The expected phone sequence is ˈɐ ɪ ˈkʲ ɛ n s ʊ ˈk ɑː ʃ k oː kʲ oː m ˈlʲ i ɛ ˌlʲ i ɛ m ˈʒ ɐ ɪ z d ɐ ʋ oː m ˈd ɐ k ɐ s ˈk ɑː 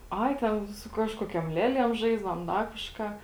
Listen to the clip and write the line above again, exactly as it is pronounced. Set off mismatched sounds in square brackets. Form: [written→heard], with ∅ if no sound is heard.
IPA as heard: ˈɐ ɪ [ˈkʲ→ˈtʲ] ɛ n s ʊ ˈk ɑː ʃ k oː kʲ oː m ˈlʲ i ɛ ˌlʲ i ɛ m ˈʒ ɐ ɪ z d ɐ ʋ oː m ˈd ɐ k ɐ [s→ʃ] ˈk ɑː